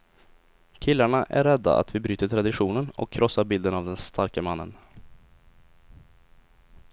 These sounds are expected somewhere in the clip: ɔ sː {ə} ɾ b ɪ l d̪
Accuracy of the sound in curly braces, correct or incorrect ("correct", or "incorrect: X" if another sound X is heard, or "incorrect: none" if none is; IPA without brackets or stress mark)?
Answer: incorrect: a